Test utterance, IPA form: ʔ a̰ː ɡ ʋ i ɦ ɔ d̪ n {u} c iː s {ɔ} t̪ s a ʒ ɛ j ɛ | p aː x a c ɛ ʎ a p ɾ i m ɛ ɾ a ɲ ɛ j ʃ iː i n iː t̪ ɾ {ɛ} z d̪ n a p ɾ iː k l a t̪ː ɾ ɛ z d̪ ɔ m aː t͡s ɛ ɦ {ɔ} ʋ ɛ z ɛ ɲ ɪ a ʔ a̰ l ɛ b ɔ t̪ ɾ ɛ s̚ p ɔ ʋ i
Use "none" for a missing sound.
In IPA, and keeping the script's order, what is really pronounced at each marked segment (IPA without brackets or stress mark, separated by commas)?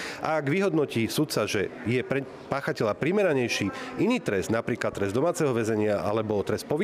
ɔ, u, ɛ, ɔ